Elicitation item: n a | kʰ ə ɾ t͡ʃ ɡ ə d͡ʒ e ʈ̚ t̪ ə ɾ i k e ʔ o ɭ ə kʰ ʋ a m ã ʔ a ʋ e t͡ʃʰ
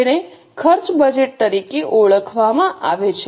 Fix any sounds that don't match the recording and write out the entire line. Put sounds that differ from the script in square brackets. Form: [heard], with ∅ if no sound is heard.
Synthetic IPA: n [e] | kʰ ə ɾ t͡ʃ [b] ə d͡ʒ e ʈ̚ t̪ ə ɾ i k e ʔ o ɭ ə kʰ ʋ a m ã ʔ a ʋ e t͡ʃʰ